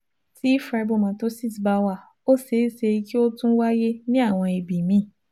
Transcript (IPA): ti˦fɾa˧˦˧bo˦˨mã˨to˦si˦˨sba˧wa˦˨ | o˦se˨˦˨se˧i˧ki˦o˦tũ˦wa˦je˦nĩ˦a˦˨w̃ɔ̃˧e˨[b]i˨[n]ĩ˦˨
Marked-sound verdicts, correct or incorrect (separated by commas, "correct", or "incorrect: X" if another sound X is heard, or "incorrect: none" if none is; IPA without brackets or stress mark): correct, incorrect: m